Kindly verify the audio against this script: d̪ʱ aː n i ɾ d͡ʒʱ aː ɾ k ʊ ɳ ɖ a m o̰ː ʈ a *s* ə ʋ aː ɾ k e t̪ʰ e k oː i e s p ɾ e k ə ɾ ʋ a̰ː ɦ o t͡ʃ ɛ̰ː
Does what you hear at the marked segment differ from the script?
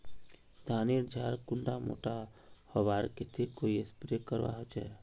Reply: yes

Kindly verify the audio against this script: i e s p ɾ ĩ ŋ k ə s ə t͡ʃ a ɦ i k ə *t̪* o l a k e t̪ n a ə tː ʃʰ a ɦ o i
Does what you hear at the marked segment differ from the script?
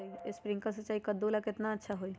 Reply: yes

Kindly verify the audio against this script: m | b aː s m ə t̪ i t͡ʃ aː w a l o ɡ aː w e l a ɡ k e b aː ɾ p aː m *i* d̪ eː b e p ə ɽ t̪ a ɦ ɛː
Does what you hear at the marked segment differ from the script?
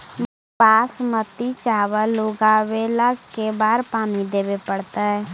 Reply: no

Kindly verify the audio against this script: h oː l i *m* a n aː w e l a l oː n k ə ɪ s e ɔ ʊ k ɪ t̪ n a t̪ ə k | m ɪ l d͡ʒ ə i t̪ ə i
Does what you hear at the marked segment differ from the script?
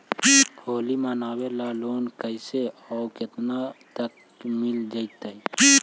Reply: no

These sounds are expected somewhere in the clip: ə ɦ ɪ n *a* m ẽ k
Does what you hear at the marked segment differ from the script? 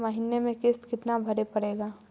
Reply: yes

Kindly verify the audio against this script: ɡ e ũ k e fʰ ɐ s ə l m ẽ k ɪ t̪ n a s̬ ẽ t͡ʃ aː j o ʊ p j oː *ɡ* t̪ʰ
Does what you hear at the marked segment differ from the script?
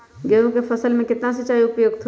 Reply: no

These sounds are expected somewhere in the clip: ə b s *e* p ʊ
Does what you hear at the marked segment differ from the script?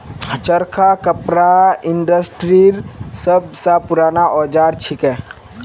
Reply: yes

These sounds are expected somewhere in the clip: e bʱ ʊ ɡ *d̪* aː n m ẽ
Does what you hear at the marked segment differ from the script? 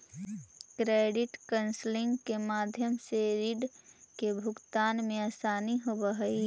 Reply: yes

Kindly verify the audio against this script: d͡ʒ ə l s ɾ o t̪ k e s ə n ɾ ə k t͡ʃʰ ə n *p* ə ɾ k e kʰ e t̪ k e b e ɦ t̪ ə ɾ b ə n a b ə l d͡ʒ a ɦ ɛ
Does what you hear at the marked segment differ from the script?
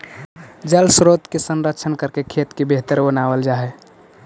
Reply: yes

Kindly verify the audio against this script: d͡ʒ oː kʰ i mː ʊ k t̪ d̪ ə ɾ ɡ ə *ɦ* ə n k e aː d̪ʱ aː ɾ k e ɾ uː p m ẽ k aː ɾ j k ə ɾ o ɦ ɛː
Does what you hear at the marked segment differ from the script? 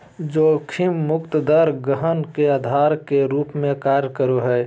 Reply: no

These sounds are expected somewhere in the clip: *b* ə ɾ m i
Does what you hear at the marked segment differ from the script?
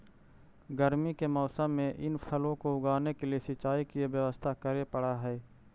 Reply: yes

